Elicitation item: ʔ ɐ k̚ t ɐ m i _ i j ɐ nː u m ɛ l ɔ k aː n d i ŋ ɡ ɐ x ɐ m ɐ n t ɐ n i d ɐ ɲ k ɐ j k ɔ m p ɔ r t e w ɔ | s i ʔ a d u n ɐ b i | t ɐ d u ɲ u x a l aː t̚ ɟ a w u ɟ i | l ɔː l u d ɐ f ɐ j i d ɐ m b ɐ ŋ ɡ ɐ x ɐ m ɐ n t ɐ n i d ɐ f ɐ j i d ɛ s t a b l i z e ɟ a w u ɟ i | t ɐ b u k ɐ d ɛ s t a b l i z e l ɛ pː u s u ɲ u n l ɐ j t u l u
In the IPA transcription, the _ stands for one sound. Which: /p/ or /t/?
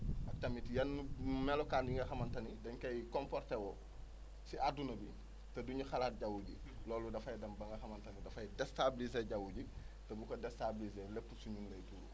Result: t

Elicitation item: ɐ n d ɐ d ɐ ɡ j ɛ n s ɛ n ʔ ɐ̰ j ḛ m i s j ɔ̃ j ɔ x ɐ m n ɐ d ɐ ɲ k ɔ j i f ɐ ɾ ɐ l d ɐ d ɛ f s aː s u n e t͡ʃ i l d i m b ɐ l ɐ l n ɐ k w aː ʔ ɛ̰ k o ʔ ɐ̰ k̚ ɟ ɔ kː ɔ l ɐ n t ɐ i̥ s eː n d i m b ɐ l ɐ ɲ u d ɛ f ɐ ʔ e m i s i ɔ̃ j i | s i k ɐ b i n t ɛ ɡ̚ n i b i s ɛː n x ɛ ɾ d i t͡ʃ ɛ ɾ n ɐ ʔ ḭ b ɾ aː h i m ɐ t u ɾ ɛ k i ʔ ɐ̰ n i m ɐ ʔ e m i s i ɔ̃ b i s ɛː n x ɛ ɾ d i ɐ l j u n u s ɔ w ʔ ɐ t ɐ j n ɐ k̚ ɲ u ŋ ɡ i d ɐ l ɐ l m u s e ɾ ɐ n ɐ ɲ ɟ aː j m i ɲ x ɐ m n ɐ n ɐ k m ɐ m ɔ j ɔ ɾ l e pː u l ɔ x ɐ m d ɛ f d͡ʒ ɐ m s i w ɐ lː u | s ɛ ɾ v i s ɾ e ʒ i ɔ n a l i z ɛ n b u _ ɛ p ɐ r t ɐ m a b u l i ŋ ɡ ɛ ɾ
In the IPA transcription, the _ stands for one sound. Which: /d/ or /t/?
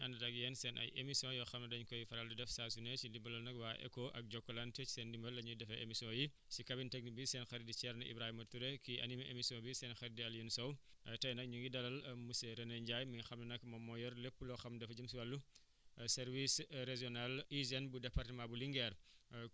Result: d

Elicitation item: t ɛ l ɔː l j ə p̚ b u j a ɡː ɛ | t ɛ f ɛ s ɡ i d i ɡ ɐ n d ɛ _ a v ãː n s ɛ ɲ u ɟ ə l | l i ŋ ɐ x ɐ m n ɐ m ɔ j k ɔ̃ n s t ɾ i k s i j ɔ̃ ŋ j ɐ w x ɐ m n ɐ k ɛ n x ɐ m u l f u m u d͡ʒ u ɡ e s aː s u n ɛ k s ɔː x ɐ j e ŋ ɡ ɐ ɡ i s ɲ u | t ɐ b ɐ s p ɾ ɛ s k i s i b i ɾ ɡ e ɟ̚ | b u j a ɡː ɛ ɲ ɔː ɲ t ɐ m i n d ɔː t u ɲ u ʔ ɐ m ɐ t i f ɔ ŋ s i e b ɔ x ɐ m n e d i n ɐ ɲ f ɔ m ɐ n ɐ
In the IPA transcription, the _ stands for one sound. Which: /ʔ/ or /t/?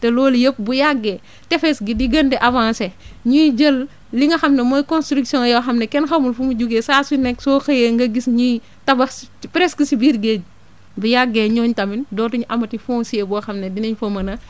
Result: ʔ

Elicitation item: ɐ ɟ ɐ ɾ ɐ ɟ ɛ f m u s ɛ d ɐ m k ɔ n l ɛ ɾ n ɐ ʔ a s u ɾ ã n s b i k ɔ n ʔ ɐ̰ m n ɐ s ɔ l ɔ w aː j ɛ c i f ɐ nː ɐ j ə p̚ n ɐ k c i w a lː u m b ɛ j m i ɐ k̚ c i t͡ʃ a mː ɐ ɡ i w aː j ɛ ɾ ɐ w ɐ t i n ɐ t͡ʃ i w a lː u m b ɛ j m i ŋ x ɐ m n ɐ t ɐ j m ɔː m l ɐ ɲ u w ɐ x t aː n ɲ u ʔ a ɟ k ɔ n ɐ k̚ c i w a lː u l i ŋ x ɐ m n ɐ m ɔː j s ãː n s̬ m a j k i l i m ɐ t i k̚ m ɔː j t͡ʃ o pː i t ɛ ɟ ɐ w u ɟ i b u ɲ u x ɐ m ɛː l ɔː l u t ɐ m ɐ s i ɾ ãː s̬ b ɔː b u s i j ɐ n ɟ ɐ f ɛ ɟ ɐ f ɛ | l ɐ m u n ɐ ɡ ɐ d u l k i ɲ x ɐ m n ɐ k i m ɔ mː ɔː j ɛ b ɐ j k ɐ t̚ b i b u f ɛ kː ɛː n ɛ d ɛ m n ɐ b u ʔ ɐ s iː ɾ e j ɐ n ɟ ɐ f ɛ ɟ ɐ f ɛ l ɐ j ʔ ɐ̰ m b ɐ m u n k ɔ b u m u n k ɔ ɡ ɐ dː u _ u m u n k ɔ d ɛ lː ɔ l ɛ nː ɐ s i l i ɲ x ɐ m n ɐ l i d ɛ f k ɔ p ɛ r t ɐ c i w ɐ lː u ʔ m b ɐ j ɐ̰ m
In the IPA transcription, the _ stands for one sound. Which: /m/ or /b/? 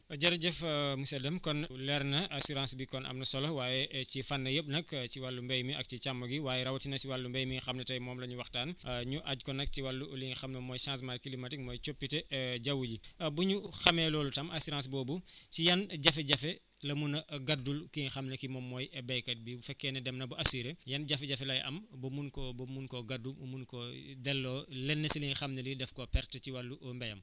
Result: m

